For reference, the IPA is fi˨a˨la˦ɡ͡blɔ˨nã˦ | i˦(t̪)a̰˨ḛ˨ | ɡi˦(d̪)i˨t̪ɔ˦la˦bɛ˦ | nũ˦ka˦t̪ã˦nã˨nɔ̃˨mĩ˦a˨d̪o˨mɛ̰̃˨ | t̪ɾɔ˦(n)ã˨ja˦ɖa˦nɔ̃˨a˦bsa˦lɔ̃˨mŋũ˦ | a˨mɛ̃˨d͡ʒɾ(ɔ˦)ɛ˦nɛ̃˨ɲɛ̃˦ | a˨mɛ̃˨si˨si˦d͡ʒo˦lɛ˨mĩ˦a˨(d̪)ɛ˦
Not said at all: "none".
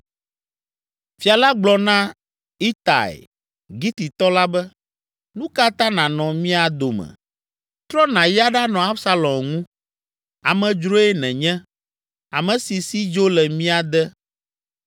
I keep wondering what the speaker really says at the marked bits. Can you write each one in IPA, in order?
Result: t̪, t̪, n, o˦, d̪

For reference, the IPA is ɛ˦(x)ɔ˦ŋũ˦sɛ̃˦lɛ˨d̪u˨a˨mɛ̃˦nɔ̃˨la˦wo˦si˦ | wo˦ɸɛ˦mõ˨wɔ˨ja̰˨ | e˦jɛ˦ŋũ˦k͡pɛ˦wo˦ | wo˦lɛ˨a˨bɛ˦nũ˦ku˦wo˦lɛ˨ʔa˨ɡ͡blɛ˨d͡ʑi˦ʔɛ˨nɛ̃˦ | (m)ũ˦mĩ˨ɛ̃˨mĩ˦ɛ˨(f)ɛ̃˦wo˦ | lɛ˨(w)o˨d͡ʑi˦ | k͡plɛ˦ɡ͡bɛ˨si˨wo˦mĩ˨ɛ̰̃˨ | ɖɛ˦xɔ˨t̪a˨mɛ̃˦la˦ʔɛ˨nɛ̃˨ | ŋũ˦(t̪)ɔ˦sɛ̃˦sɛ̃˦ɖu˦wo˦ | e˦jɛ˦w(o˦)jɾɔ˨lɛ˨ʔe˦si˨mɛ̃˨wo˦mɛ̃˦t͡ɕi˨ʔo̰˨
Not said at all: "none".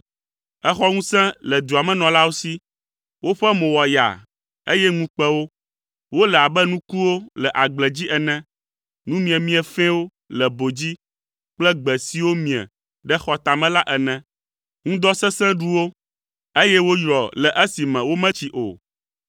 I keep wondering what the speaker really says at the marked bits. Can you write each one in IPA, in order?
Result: x, n, f, b, d̪, o˦

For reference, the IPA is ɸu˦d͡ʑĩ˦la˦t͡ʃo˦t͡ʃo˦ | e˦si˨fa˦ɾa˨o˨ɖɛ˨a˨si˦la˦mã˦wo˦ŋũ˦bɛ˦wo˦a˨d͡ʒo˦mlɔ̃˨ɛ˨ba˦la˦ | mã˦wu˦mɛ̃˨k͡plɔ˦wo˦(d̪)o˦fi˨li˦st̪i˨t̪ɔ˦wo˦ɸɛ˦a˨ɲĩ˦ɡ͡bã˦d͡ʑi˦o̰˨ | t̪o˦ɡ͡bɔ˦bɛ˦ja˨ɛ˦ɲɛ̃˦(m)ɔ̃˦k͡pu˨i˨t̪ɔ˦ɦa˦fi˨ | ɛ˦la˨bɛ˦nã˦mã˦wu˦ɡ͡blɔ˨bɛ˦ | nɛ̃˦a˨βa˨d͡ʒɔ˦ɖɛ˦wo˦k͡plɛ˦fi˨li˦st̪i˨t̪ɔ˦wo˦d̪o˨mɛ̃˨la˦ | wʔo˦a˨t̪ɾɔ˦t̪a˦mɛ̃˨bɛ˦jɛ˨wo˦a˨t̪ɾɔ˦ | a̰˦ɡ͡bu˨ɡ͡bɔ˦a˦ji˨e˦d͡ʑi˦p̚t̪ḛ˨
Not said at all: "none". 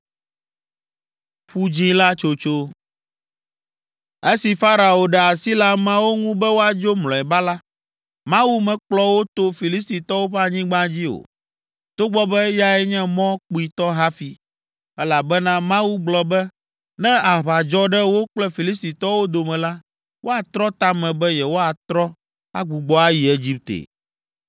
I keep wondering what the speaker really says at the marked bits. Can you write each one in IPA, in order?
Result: t̪, m

